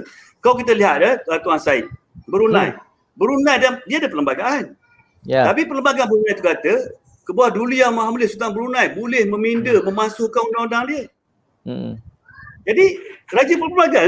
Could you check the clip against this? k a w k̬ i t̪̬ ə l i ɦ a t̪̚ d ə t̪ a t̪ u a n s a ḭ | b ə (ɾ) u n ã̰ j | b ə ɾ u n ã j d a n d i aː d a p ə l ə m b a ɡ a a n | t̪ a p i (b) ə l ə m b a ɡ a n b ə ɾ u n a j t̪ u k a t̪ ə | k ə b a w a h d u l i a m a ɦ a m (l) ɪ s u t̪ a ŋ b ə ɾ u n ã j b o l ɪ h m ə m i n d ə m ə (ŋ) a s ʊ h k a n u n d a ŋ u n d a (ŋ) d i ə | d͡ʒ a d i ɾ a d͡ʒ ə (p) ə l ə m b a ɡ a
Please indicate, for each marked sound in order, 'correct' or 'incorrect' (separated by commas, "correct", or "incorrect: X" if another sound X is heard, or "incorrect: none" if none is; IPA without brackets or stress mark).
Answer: correct, incorrect: p, correct, incorrect: m, correct, correct